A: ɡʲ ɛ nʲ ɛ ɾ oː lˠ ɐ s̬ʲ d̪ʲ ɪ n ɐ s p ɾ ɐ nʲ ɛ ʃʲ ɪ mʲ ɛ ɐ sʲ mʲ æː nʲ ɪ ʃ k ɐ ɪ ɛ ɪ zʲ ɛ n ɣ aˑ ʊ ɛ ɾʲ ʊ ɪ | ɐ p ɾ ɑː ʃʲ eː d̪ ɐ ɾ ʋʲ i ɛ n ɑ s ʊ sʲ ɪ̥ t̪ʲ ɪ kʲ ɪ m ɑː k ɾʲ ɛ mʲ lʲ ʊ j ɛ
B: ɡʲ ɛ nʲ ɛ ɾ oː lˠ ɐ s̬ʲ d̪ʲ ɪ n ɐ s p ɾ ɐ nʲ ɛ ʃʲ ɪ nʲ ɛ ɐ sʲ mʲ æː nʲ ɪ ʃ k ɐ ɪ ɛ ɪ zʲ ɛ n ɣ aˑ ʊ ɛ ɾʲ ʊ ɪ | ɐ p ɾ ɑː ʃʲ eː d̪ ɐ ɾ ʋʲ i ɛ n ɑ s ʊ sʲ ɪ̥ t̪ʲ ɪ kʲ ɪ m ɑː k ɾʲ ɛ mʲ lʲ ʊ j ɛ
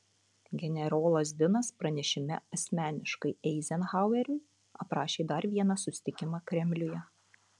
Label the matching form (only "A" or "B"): A